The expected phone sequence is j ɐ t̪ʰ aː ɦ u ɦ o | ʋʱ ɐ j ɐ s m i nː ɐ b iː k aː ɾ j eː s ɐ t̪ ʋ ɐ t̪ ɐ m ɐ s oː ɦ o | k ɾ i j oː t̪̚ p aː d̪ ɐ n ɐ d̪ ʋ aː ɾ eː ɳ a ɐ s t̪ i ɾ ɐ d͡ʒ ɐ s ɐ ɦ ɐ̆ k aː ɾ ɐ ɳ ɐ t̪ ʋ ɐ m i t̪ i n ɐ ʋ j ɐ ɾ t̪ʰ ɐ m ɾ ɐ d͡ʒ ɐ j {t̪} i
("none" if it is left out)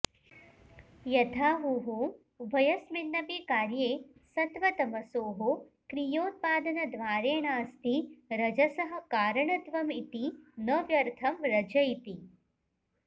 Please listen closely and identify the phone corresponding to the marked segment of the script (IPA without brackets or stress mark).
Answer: t̪